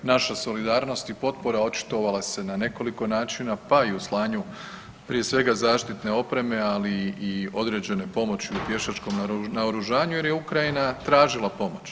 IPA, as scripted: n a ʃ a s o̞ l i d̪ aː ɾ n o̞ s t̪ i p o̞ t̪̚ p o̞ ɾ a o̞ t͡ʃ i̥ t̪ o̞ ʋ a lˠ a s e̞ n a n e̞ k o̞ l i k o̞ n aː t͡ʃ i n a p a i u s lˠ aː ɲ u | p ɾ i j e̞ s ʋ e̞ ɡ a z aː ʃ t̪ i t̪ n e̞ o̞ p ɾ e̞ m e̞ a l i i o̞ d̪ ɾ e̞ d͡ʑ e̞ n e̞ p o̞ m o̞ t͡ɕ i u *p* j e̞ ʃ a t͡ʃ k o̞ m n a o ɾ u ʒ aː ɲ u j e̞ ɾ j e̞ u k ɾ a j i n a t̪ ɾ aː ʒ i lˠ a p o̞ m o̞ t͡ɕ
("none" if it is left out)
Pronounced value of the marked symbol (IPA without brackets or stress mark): p